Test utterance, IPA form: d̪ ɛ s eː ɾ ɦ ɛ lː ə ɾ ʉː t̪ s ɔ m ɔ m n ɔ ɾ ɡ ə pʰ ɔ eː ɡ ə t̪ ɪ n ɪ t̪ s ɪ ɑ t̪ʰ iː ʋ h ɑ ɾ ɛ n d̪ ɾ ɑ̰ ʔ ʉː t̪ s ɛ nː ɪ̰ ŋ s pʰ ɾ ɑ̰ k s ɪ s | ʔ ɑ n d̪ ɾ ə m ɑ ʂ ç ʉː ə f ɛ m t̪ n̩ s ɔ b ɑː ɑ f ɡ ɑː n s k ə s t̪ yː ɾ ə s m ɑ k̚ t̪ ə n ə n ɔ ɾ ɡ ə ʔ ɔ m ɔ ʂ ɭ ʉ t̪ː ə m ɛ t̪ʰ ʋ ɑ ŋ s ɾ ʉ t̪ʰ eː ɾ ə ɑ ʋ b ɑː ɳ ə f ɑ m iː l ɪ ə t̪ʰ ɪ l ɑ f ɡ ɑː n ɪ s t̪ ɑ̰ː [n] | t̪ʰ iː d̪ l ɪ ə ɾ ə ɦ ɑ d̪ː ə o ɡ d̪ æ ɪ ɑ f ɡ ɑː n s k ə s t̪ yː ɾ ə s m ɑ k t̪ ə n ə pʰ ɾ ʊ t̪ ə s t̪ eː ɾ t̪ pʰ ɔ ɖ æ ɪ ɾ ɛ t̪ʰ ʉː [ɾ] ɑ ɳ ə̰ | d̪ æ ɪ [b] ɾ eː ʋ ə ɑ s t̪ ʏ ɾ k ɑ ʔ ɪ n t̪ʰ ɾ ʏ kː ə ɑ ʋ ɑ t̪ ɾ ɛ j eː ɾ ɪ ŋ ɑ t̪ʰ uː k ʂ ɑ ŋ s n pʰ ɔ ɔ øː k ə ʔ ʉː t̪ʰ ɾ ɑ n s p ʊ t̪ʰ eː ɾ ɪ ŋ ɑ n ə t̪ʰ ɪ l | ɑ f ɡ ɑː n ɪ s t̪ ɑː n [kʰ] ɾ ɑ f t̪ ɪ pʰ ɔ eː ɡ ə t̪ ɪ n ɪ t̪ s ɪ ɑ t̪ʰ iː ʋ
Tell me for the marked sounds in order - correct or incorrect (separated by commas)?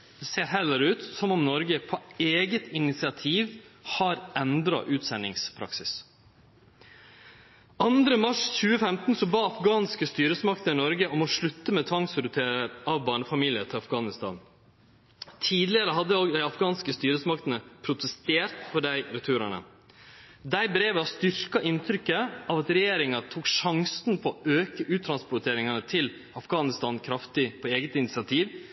correct, correct, correct, correct